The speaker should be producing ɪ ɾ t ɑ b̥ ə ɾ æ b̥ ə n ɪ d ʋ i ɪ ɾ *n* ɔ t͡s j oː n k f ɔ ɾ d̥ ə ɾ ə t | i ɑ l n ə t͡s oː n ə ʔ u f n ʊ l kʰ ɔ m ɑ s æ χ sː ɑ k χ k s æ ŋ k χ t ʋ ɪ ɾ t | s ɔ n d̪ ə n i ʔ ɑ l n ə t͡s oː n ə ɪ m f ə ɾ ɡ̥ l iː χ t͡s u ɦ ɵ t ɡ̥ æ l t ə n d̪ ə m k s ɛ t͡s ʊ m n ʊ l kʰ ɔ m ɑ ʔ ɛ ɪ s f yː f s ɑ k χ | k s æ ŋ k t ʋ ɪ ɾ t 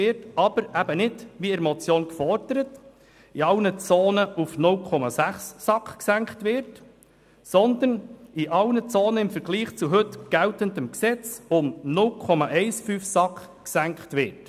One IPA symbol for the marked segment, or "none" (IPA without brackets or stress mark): m